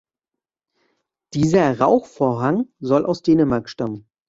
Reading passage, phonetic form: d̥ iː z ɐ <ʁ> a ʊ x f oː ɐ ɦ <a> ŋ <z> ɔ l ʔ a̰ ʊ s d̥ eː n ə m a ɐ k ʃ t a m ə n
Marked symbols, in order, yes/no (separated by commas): yes, yes, yes